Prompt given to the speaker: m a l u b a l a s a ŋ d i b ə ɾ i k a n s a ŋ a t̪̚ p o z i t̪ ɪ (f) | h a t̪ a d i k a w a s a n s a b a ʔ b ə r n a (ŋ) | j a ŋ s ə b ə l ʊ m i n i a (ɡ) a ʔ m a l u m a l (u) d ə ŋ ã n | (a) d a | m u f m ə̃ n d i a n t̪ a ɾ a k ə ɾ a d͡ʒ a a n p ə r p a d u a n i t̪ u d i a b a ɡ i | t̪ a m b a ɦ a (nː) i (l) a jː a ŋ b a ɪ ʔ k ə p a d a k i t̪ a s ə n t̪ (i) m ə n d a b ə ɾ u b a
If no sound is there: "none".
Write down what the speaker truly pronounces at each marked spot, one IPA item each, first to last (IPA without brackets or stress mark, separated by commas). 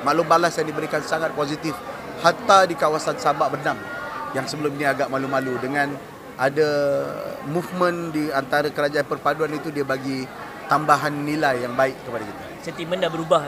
f, m, ɡ, u, a, nː, l, i